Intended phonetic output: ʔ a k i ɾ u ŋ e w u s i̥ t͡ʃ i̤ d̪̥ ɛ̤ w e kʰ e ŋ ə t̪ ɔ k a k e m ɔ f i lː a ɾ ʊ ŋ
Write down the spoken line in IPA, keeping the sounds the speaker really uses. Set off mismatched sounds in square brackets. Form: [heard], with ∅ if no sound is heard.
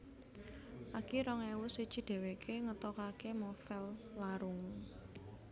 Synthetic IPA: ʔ a k i ɾ [ɔ] ŋ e w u s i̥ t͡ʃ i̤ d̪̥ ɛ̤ w e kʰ e ŋ ə t̪ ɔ k a k e m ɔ f [ɛ] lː a ɾ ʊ ŋ

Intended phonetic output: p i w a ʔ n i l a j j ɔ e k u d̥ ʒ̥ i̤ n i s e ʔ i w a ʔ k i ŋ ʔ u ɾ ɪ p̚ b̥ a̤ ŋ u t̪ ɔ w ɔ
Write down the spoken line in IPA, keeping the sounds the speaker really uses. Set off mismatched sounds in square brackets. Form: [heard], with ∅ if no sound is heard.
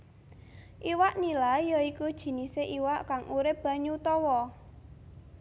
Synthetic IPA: [ʔ] i w a ʔ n i l a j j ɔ [i] k u d̥ ʒ̥ i̤ n i s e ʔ i w a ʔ k [a] ŋ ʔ u ɾ ɪ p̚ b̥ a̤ [ɲ] u t̪ ɔ w ɔ

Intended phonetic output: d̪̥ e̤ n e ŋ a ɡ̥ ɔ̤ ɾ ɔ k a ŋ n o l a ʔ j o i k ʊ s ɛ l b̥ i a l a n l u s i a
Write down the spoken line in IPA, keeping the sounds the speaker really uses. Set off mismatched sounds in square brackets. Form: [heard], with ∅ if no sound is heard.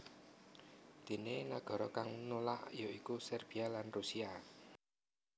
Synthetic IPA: d̪̥ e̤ n e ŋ a ɡ̥ ɔ̤ ɾ ɔ k a ŋ n o l a ʔ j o i k [u] s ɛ [r] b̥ i a l a n [r] u s i a

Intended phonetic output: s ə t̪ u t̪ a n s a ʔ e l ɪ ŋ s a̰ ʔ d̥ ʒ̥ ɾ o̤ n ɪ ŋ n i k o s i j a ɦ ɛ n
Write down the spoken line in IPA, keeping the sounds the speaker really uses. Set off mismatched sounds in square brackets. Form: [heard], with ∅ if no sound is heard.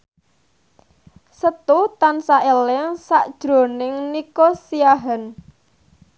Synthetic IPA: s ə t̪ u t̪ a n s a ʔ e l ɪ ŋ s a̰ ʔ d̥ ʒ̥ ɾ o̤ n ɪ ŋ n i k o s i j a ɦ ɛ n

